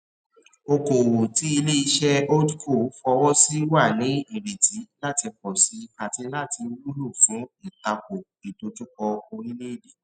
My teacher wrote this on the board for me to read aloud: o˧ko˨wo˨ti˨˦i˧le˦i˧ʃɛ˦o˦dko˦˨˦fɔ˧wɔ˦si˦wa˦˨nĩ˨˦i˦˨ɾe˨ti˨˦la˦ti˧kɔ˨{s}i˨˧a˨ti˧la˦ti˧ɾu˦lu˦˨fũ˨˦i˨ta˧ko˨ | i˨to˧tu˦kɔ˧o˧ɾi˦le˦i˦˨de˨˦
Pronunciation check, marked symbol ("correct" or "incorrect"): correct